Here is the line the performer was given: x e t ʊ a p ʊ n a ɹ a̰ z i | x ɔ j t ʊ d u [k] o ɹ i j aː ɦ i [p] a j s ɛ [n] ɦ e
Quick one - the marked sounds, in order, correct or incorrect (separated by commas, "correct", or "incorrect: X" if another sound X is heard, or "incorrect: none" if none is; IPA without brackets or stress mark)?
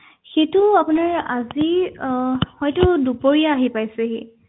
incorrect: p, correct, incorrect: none